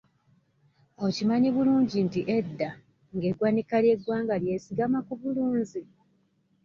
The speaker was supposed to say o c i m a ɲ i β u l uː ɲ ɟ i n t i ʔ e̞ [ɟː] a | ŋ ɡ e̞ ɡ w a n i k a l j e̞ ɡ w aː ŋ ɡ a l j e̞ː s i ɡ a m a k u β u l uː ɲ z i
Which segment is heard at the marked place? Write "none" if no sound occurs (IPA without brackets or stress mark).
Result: dː